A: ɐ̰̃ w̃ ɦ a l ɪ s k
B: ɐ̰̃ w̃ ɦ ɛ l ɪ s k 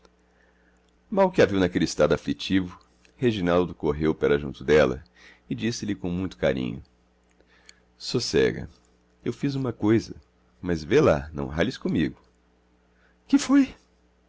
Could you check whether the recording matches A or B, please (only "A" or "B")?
A